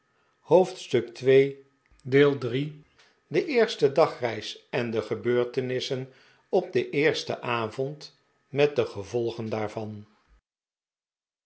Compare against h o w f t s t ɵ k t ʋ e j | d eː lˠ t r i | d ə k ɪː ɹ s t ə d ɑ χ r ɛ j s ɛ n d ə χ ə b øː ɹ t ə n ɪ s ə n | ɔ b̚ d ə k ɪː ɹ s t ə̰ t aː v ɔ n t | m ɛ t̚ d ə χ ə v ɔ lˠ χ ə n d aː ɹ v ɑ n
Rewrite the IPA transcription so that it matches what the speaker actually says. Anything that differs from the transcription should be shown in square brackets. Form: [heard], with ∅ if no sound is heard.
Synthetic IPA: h o w f t s t ɵ k t ʋ e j | d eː lˠ [d] r i | d ə [ʔ] ɪː ɹ s t ə d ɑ χ r ɛ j s ɛ n d ə χ ə b øː ɹ t ə n ɪ s ə n | ɔ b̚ d ə [ʔ] ɪː ɹ s t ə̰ [ʔ] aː v ɔ n t | m ɛ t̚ d ə χ ə v ɔ lˠ χ ə n d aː ɹ v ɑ n